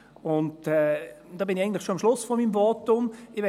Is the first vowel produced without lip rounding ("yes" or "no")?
no